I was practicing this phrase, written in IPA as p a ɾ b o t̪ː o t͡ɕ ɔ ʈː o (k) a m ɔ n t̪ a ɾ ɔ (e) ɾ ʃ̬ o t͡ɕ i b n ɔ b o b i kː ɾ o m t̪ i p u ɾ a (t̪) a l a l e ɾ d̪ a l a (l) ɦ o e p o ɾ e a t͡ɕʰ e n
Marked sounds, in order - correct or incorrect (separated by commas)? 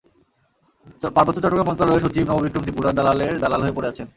correct, correct, incorrect, correct